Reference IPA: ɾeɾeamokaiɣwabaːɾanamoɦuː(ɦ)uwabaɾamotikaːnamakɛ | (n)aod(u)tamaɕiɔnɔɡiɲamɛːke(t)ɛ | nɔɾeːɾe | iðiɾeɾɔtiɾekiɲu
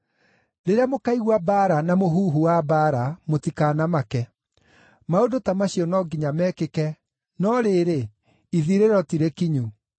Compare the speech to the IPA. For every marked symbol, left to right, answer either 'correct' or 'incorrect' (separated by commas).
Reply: correct, incorrect, incorrect, incorrect